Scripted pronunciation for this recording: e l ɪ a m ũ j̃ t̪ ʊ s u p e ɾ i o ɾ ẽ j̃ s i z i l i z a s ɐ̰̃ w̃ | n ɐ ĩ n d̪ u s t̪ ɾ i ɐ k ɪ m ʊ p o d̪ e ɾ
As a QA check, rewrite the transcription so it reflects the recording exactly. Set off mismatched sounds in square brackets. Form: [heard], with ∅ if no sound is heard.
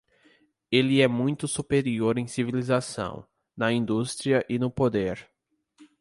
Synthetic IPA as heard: e l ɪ [ɛ] m ũ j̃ t̪ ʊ s u p e ɾ i o ɾ ẽ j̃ s i [v] i l i z a s ɐ̰̃ w̃ | n ɐ ĩ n d̪ u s t̪ ɾ i ɐ [ʔ] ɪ [n] ʊ p o d̪ e ɾ